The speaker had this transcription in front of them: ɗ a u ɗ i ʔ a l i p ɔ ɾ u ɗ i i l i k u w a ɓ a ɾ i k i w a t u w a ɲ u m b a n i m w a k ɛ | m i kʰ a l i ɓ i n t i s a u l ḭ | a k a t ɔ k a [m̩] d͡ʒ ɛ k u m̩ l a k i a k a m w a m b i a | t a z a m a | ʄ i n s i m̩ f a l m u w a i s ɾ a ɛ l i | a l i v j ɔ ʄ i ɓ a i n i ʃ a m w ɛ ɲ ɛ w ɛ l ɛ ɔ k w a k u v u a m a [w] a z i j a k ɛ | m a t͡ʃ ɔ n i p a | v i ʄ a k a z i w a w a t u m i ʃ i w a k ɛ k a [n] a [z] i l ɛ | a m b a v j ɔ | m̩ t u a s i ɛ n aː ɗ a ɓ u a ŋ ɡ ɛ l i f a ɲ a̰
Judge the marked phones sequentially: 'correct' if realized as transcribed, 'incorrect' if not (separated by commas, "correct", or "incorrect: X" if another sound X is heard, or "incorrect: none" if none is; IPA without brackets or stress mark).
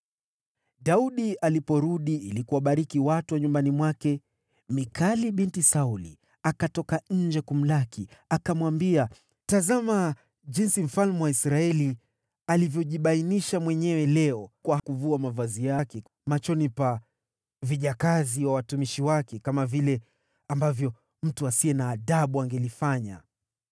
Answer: incorrect: ɲ̩, incorrect: v, incorrect: m, incorrect: v